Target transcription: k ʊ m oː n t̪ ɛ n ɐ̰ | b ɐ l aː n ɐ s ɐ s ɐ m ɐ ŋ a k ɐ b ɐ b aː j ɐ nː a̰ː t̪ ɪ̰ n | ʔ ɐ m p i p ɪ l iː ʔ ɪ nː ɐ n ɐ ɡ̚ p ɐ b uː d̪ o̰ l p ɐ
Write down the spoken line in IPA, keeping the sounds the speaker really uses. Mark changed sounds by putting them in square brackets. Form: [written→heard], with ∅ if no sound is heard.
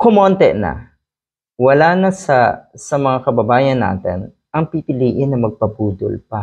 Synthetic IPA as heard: k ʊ m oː n t̪ ɛ n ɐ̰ | [b→w] ɐ l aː n ɐ s ɐ s ɐ m ɐ ŋ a k ɐ b ɐ b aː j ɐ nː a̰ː t̪ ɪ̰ n | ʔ ɐ [m→ŋ] p i p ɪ l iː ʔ ɪ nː ɐ [n→m] ɐ ɡ̚ p ɐ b uː d̪ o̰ l p ɐ